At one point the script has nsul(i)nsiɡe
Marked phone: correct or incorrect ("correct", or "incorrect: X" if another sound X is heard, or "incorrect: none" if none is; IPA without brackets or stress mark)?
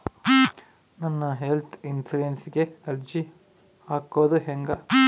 incorrect: e